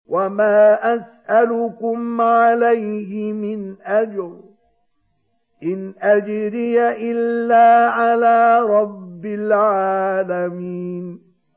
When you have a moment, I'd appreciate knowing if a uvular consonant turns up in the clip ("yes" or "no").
no